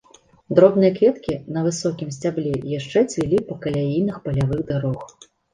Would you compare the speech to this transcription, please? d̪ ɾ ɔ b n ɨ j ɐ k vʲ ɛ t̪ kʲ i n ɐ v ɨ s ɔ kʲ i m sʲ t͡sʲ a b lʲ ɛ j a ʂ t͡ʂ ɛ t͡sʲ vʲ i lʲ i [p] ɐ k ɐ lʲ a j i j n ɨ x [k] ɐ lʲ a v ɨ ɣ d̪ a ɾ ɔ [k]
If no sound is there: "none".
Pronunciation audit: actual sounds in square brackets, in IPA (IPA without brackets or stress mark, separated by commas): p, p, x